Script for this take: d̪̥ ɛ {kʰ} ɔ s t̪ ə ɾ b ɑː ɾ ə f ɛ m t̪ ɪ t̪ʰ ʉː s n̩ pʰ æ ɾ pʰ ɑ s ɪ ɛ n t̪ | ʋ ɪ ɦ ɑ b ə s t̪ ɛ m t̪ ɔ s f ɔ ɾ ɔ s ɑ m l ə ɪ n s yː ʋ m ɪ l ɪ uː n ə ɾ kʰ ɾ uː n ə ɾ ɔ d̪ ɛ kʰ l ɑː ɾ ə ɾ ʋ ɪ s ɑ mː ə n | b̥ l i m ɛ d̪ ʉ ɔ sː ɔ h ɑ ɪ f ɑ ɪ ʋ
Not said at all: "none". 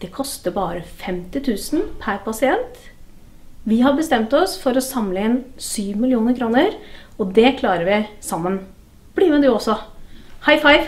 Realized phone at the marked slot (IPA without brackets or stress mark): kʰ